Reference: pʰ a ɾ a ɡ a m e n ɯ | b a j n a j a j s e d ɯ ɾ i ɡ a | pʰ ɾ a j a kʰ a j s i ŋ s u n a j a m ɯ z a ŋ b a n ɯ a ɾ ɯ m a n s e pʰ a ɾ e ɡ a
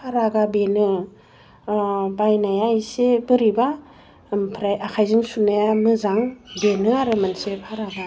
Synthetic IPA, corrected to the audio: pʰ a ɾ a ɡ a b e n ɯ | b a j n a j a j s e b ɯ ɾ i b a | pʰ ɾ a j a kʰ a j z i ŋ s u n a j a m ɯ z a ŋ b e n ɯ a ɾ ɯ m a n s e pʰ a ɾ a ɡ a